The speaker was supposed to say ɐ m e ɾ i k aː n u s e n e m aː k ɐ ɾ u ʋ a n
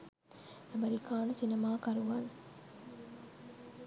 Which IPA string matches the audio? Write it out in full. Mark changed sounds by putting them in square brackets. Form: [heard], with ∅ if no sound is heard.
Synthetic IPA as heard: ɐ m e ɾ i k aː n u s [i] n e m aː k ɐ ɾ u ʋ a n